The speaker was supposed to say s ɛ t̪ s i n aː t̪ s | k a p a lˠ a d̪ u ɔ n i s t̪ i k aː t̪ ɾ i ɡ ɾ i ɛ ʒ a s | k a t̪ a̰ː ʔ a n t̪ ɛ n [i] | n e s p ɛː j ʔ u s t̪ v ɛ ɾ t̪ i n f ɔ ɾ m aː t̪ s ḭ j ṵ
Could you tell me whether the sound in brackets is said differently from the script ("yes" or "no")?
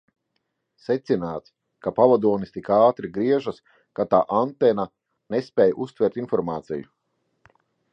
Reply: yes